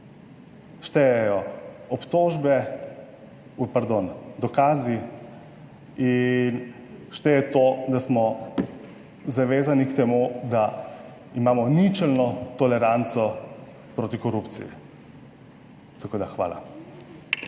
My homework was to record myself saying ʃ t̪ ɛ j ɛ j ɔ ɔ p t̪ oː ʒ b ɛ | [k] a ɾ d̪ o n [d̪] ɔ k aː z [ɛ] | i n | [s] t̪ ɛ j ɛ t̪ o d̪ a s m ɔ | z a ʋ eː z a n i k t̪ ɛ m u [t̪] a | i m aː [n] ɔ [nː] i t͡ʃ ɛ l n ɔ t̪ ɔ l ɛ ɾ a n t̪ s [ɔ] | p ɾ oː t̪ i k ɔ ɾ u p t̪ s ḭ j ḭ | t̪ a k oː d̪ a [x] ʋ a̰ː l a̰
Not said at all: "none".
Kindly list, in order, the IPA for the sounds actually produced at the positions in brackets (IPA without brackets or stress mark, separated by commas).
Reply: p, d̪, i, ʃ, d̪, m, n, ɔ, x